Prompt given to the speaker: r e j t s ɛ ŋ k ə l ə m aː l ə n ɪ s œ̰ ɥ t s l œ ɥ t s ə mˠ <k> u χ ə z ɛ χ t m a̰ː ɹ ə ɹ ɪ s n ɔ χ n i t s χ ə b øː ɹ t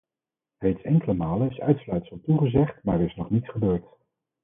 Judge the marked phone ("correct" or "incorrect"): incorrect